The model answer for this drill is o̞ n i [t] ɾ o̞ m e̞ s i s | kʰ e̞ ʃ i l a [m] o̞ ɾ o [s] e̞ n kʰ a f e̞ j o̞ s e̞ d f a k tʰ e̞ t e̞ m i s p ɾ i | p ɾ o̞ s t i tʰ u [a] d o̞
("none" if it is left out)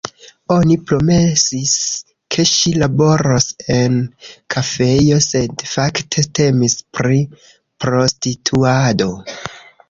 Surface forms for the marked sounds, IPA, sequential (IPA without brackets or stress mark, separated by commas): p, b, s, a